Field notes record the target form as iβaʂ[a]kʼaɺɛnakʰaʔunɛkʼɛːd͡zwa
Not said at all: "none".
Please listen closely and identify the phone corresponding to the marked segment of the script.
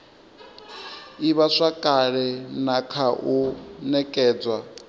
a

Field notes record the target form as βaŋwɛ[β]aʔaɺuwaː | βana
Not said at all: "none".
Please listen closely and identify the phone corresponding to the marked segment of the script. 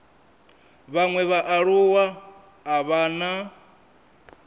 β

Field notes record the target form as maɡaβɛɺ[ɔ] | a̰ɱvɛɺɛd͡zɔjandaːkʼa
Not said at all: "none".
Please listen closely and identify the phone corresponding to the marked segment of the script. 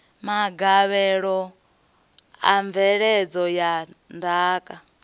ɔ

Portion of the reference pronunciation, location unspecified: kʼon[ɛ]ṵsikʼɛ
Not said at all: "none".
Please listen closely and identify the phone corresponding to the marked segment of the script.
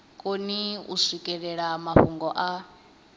i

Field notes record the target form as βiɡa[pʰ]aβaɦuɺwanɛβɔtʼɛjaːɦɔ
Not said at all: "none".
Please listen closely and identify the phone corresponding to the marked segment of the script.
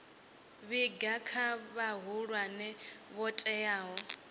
kʰ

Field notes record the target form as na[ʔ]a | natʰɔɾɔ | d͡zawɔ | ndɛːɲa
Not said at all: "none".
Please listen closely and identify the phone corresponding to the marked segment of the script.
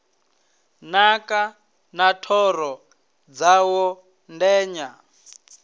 k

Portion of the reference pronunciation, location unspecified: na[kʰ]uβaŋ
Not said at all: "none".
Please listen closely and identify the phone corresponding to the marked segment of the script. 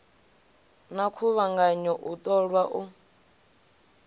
kʰ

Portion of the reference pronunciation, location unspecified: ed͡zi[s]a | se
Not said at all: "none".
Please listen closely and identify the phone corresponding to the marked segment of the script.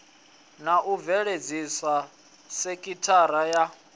s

